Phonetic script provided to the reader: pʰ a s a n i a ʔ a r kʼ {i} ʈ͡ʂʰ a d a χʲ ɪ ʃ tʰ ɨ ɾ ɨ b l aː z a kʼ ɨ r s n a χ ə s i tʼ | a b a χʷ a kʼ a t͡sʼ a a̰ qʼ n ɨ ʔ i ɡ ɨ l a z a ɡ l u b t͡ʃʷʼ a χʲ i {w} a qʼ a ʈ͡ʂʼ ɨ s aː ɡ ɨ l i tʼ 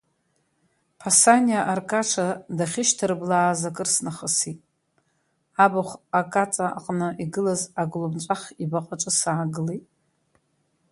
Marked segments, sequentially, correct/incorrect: incorrect, incorrect

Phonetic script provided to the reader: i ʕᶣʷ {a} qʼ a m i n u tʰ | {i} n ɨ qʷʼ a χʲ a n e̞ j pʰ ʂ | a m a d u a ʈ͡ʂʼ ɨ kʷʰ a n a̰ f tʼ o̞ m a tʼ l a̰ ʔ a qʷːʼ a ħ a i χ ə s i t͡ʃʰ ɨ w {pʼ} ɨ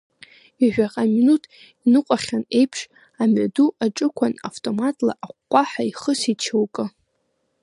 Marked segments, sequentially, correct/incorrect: correct, correct, incorrect

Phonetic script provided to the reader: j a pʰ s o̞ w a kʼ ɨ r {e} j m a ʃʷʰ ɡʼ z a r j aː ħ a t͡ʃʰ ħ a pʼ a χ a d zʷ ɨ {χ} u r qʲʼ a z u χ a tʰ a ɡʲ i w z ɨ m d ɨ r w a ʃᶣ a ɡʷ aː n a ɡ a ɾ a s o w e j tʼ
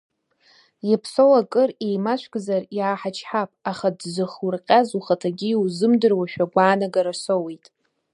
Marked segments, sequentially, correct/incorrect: correct, correct

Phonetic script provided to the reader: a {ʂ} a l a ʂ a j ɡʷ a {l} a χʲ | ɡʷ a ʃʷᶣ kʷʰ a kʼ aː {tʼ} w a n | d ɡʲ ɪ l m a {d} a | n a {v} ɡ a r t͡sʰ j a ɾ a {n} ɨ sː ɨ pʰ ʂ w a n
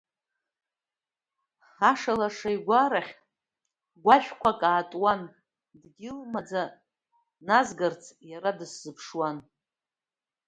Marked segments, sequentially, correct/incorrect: correct, incorrect, correct, incorrect, incorrect, incorrect

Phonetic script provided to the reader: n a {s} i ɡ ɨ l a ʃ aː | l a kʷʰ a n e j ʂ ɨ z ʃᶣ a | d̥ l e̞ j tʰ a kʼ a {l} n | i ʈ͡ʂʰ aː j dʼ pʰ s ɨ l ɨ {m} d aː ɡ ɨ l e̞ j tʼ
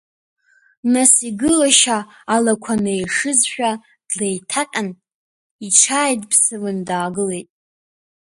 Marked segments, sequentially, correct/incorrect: correct, incorrect, incorrect

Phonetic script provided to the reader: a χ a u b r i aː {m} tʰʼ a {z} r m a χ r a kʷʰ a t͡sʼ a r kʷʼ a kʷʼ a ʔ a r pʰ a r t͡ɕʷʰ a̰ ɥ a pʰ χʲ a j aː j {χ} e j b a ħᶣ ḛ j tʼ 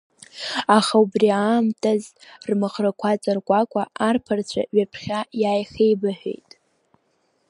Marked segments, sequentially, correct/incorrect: correct, correct, correct

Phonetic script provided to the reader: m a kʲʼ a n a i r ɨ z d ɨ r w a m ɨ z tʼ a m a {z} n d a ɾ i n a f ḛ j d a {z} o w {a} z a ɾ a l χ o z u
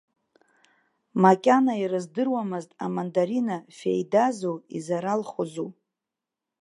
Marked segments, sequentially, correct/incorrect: incorrect, correct, incorrect

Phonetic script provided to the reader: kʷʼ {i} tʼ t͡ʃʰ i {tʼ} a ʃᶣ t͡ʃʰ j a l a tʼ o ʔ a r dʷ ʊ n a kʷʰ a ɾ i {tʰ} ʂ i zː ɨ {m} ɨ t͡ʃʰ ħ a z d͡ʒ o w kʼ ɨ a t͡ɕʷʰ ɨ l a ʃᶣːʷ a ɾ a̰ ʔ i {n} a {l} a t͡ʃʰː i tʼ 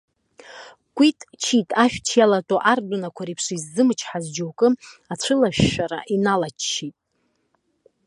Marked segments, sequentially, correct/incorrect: correct, correct, incorrect, correct, correct, correct

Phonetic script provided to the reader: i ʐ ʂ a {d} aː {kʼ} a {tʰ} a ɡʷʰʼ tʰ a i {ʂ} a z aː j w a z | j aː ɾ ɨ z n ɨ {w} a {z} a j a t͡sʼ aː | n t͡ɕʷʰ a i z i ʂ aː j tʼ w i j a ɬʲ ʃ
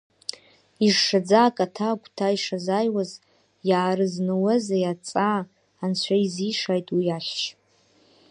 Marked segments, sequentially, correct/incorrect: incorrect, correct, correct, correct, correct, correct

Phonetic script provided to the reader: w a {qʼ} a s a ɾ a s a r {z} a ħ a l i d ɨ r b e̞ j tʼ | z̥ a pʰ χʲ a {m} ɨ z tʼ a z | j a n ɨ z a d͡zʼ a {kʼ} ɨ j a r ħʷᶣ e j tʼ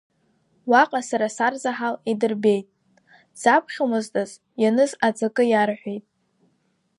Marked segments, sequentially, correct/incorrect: correct, correct, correct, correct

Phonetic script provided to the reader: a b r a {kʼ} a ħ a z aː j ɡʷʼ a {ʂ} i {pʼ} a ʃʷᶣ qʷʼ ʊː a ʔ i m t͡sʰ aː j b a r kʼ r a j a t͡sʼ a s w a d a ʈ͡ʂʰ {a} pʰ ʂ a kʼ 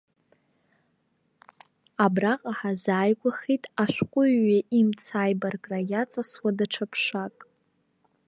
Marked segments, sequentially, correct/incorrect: incorrect, incorrect, incorrect, correct

